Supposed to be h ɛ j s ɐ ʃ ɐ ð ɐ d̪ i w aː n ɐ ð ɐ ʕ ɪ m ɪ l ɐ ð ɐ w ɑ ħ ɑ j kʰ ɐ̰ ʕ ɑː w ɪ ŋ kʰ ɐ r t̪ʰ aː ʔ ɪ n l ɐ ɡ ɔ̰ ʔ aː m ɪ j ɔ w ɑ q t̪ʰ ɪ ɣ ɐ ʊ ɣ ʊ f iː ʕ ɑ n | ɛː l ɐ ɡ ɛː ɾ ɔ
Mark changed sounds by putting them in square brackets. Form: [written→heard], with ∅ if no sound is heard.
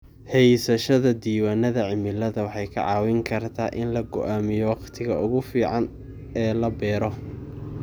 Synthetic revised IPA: h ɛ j s ɐ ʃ ɐ ð ɐ d̪ [i→iː] w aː n ɐ ð ɐ ʕ ɪ m ɪ l ɐ ð ɐ w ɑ ħ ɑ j kʰ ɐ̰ ʕ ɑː w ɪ ŋ kʰ ɐ r t̪ʰ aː ʔ ɪ n l ɐ ɡ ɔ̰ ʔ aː m ɪ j ɔ w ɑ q t̪ʰ ɪ ɣ ɐ ʊ ɣ ʊ f iː ʕ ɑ n | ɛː l ɐ [ɡ→b] ɛː ɾ ɔ

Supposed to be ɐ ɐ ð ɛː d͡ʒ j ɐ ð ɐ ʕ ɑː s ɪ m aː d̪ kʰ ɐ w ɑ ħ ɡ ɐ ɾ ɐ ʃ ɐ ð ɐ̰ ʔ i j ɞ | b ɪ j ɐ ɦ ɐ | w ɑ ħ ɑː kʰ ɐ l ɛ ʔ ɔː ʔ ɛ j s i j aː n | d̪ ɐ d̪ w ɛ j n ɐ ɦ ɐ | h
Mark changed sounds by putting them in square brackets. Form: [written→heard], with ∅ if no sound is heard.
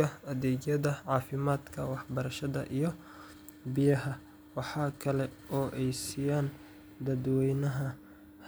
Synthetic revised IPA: ɐ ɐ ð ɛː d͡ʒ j ɐ ð ɐ ʕ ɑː [s→f] ɪ m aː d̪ kʰ ɐ w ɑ ħ [ɡ→b] ɐ ɾ ɐ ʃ ɐ ð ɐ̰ ʔ i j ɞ | b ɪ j ɐ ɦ ɐ | w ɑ ħ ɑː kʰ ɐ l ɛ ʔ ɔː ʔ ɛ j s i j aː n | d̪ ɐ d̪ w ɛ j n ɐ ɦ ɐ | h

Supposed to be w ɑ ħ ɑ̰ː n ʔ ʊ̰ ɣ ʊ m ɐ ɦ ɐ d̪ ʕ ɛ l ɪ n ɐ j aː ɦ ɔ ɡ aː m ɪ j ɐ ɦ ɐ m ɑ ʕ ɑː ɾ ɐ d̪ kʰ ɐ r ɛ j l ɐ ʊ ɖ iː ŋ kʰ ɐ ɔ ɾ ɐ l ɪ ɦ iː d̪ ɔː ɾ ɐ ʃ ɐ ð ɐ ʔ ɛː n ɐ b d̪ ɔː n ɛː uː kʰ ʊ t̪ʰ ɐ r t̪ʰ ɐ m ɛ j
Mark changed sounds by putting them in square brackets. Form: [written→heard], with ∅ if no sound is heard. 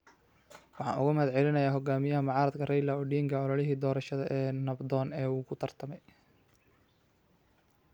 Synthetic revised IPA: w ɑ ħ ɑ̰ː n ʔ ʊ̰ ɣ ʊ m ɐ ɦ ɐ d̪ ʕ ɛ l ɪ n ɐ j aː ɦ ɔ ɡ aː m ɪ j ɐ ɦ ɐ m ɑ ʕ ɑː ɾ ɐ d̪ kʰ ɐ r ɛ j l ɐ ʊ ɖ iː ŋ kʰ ɐ ɔ [ɾ→l] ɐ l ɪ ɦ iː d̪ ɔː ɾ ɐ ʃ ɐ ð ɐ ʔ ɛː n ɐ b d̪ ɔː n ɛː uː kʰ ʊ t̪ʰ ɐ r t̪ʰ ɐ m ɛ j

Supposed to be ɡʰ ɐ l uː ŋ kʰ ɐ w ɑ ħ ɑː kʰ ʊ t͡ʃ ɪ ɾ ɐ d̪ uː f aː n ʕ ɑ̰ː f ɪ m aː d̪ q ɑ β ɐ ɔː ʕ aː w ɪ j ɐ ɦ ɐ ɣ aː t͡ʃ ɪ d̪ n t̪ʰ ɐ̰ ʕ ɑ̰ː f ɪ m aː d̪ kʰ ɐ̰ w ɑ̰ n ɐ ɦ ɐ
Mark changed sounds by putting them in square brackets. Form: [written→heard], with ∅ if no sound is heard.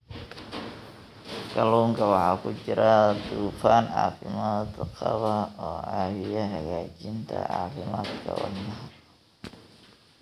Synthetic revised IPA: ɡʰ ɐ l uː ŋ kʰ ɐ w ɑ ħ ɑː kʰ ʊ t͡ʃ ɪ ɾ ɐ d̪ uː f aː n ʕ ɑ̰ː f ɪ m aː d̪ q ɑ β ɐ ɔː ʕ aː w ɪ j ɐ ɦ ɐ ɣ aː t͡ʃ ɪ [d̪→∅] n t̪ʰ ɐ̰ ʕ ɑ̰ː f ɪ m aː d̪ kʰ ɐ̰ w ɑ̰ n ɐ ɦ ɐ

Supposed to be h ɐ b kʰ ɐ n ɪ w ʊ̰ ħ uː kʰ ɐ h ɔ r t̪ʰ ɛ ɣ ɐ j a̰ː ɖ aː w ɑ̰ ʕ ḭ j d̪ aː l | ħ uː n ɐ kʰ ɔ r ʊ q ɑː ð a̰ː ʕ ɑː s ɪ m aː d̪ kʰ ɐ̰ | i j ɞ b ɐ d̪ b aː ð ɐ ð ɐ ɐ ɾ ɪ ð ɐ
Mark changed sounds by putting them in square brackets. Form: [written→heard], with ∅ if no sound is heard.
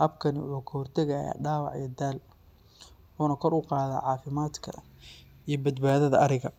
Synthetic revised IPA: h ɐ b kʰ ɐ n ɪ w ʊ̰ ħ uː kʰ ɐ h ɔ r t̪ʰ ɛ ɣ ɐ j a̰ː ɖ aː w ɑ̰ ʕ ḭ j d̪ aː l | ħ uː n ɐ kʰ ɔ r ʊ q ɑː ð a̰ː ʕ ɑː [s→f] ɪ m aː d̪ kʰ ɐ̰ | i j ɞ b ɐ d̪ b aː ð ɐ ð ɐ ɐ ɾ ɪ [ð→ɣ] ɐ

